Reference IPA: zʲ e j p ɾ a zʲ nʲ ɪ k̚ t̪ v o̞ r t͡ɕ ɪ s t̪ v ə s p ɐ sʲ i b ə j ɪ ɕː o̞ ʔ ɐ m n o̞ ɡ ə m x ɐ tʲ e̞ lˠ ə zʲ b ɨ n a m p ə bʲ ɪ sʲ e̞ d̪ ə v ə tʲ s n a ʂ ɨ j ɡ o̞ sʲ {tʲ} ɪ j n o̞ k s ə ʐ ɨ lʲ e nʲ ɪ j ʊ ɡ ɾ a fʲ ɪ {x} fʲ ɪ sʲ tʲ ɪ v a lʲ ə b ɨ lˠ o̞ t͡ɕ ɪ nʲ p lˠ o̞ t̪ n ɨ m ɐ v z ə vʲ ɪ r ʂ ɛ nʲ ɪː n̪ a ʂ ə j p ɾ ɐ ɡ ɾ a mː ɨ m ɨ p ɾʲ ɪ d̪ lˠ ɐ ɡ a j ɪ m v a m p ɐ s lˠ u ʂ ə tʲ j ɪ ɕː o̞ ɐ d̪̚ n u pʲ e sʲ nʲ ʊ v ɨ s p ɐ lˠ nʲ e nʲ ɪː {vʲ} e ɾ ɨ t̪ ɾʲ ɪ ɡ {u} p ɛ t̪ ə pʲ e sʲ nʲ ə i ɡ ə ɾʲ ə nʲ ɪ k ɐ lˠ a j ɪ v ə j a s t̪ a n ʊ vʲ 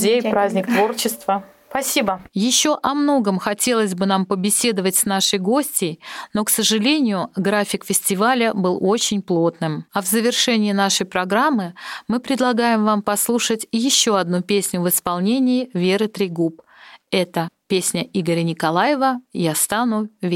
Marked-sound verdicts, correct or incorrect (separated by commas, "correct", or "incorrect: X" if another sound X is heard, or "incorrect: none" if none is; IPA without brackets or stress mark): correct, incorrect: k, correct, correct